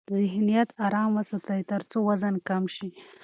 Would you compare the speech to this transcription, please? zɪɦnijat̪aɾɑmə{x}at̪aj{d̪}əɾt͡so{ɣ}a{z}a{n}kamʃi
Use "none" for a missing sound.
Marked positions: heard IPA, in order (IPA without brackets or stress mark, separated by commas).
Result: s, t̪, w, z, n